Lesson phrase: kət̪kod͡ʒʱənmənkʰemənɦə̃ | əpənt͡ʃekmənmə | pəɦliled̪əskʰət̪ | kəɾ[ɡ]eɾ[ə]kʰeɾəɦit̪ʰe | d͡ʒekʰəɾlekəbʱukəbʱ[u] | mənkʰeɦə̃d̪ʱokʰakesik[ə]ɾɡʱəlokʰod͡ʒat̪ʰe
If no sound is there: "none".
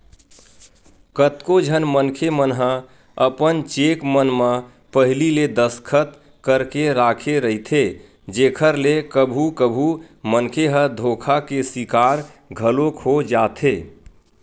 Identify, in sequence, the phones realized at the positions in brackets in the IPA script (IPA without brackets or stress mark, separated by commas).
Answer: k, a, u, a